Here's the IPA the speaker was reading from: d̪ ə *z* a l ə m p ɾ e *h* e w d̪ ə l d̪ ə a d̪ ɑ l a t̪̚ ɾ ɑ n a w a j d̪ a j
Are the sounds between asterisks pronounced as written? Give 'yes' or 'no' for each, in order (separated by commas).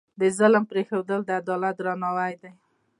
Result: yes, no